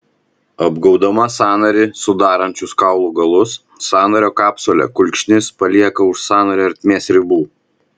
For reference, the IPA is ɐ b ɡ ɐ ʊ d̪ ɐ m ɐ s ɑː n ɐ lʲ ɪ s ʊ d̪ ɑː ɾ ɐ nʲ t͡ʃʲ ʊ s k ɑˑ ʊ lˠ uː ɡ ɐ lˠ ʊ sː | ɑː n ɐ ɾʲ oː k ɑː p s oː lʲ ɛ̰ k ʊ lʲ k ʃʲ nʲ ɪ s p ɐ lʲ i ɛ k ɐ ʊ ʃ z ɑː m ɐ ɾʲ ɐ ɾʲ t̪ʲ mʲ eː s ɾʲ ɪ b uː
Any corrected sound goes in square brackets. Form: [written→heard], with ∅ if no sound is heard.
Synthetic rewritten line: ɐ b ɡ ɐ ʊ d̪ ɐ m ɐ s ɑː n ɐ [lʲ→ɾʲ] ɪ s ʊ d̪ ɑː ɾ ɐ nʲ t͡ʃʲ ʊ s k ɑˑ ʊ lˠ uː ɡ ɐ lˠ ʊ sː | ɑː n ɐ ɾʲ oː k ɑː p s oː lʲ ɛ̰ k ʊ lʲ k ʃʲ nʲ ɪ s p ɐ lʲ i ɛ k ɐ ʊ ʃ [z→s] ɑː [m→n] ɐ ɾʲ ɐ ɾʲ t̪ʲ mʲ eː s ɾʲ ɪ b uː